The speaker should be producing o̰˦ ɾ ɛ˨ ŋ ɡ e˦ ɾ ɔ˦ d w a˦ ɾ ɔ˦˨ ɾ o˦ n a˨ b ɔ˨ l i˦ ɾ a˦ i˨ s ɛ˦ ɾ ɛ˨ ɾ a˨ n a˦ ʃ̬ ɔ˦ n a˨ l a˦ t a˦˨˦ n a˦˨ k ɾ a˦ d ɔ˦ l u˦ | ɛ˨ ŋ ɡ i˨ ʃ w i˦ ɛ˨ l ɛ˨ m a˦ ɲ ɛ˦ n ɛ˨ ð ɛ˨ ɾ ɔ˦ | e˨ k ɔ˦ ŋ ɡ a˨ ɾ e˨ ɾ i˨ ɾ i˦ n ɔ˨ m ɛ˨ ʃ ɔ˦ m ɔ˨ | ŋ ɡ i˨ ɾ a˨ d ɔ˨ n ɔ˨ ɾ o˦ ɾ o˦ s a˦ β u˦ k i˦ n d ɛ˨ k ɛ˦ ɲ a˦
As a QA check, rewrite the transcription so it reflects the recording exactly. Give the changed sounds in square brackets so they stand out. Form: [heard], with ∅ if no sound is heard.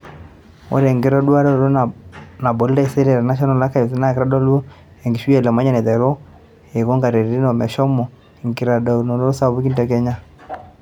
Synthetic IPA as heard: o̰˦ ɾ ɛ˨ ŋ ɡ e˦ ɾ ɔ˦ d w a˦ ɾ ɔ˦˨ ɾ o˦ n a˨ b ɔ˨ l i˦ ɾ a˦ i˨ s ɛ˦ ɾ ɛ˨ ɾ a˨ n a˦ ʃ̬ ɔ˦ n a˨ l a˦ [k] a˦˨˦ n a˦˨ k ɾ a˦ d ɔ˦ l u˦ | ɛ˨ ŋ ɡ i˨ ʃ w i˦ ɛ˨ l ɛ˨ m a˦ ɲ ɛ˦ n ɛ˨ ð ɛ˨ ɾ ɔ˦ | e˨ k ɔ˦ ŋ ɡ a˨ ɾ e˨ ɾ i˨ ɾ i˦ n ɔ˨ m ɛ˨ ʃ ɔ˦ m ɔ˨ | ŋ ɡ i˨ ɾ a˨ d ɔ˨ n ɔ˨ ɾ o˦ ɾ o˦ s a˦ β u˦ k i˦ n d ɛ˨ k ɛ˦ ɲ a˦